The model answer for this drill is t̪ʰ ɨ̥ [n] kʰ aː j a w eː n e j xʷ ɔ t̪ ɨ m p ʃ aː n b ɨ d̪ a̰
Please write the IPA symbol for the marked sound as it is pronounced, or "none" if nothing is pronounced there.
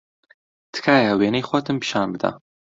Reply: none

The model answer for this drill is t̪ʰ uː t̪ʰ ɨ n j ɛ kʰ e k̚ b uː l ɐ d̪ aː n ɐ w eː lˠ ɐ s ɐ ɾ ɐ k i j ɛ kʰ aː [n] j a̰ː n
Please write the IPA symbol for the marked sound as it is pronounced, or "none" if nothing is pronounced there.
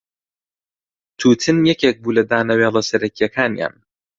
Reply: n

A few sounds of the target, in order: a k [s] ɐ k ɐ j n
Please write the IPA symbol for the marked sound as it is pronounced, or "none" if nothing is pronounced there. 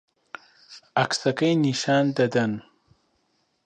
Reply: s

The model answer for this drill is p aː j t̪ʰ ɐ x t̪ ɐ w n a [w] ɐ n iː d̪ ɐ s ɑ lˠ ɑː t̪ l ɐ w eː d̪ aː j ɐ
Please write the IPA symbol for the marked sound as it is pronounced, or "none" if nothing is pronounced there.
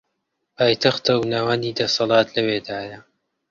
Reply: w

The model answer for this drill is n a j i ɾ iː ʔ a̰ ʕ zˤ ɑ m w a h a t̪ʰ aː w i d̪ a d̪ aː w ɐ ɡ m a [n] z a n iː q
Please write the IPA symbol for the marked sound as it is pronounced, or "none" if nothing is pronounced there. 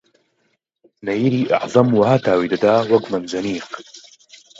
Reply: n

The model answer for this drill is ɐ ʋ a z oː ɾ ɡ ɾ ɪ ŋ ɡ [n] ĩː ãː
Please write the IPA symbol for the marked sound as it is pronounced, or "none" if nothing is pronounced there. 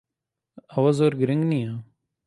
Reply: n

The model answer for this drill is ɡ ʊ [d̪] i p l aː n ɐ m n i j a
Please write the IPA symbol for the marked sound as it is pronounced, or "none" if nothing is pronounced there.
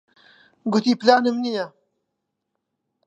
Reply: t̪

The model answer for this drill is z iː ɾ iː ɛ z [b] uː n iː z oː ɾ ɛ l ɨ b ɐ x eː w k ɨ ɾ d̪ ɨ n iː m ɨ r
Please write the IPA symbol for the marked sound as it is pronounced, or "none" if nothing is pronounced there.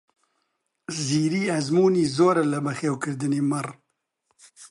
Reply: m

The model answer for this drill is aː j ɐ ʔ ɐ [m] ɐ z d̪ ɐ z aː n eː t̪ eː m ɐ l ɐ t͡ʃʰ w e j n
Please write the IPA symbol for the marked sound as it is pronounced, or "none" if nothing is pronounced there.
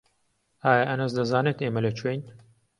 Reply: n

